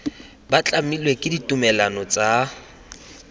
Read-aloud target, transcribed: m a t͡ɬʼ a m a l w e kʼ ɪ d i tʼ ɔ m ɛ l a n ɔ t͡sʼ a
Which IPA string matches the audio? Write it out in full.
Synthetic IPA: b a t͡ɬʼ a m i l w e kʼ ɪ d i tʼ u m ɛ l a n ɔ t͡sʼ a